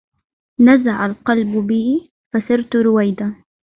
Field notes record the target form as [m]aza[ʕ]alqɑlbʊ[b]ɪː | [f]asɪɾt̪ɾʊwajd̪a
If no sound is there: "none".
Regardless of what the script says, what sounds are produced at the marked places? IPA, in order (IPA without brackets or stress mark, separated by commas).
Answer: n, ʕ, b, f